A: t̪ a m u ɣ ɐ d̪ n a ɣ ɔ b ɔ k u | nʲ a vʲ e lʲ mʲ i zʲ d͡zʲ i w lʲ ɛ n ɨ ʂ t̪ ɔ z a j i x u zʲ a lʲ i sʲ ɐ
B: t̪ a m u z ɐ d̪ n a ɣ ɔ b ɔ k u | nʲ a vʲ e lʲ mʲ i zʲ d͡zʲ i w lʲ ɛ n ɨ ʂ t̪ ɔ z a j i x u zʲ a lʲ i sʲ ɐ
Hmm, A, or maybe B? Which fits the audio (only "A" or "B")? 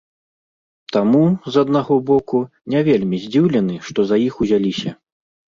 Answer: B